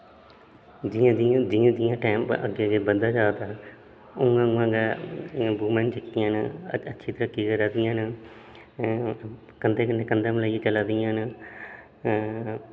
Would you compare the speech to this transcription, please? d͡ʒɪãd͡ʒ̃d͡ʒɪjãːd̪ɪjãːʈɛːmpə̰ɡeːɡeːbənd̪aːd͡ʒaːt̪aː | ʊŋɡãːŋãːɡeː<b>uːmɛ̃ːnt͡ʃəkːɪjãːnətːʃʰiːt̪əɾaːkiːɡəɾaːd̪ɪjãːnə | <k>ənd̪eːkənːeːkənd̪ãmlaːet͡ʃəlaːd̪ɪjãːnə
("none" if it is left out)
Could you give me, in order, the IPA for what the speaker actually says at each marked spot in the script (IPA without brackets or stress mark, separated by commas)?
b, k